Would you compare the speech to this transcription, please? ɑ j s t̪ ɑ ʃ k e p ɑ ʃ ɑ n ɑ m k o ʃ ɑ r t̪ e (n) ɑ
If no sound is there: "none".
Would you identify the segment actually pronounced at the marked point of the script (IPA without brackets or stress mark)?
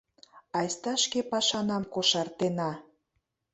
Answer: n